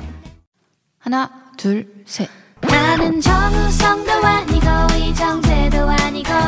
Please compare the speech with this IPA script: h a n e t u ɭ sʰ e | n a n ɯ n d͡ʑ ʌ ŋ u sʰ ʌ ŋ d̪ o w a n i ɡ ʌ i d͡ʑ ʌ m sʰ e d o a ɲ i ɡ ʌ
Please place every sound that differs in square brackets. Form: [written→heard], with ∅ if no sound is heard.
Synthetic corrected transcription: h a n [e→a] t u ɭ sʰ e | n a n ɯ n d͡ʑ ʌ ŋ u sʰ ʌ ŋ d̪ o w a [n→ɲ] i ɡ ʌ i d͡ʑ ʌ [m→ŋ] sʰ e d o a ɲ i ɡ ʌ